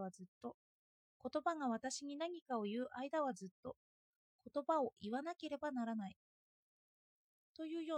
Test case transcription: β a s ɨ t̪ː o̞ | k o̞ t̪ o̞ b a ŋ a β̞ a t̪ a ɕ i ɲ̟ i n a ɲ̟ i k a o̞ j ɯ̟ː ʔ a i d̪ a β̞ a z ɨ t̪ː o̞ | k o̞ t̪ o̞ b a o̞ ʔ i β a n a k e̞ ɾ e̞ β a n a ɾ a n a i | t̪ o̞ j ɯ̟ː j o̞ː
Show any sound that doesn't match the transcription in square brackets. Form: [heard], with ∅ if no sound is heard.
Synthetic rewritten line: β a [z] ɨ t̪ː o̞ | k o̞ t̪ o̞ b a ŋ a β̞ a t̪ a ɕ i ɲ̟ i n a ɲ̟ i k a o̞ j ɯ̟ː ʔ a i d̪ a β̞ a z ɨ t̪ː o̞ | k o̞ t̪ o̞ b a o̞ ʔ i β a n a k e̞ ɾ e̞ [b] a n a ɾ a n a i | t̪ o̞ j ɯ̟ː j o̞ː